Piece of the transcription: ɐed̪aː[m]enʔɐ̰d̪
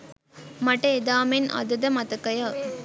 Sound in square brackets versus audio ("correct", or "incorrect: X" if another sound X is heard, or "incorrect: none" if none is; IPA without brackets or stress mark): correct